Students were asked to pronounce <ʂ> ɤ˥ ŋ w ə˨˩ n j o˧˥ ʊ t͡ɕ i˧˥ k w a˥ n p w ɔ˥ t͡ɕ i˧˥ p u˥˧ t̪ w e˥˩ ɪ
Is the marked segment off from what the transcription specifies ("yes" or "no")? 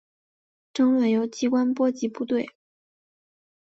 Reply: yes